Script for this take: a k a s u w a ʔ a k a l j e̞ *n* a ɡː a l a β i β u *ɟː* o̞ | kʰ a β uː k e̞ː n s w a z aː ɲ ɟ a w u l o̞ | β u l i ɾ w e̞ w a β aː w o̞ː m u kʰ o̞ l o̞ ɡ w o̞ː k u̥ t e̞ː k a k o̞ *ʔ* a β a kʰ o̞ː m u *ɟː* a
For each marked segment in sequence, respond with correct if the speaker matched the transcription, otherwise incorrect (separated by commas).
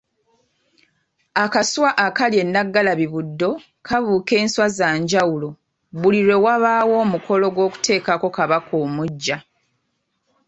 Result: incorrect, incorrect, incorrect, correct